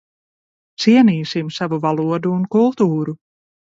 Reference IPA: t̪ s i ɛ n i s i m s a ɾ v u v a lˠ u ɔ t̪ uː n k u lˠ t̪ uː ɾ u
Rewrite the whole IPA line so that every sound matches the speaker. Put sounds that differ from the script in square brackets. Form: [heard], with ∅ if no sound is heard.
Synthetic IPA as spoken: t̪ s i ɛ n [iː] s i m s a [∅] v u v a lˠ u ɔ [d̪] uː n k u lˠ t̪ uː ɾ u